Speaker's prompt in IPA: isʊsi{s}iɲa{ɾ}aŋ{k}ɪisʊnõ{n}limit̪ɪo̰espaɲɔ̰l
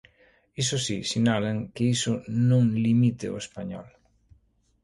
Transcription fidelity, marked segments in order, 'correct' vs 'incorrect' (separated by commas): correct, incorrect, correct, incorrect